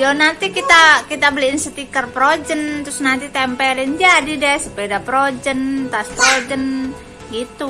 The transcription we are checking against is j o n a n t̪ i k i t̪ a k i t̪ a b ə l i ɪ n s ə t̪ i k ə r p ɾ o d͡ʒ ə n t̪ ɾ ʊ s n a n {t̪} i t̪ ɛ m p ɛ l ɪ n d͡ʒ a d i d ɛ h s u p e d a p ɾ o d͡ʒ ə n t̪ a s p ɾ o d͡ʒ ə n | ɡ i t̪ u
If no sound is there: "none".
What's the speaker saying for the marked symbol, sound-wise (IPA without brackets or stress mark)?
t̪